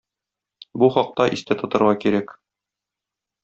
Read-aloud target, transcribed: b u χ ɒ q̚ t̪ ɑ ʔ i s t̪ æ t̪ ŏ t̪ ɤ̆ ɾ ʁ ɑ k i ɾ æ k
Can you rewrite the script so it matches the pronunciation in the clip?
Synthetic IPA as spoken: b u χ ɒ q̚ t̪ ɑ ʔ i s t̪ æ t̪ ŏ t̪ ɤ̆ ɾ ʁ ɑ k i ɾ æ k